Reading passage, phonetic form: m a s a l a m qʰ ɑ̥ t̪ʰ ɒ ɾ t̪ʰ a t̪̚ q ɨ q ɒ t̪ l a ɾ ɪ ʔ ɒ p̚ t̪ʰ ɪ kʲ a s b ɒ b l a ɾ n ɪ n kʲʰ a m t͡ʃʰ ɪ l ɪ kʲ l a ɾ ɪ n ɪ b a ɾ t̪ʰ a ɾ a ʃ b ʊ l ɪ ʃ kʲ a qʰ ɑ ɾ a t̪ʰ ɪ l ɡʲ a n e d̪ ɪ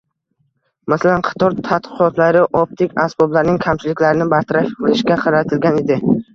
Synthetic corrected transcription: m a s a l a n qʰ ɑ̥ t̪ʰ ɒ ɾ t̪ʰ a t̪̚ q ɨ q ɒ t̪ l a ɾ ɪ ʔ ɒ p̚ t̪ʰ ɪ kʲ a s b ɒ b l a ɾ n ɪ ŋ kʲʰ a m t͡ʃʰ ɪ l ɪ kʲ l a ɾ ɪ n ɪ b a ɾ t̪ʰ a ɾ a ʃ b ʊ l ɪ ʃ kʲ a qʰ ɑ ɾ a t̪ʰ ɪ l ɡʲ a n e d̪ ɪ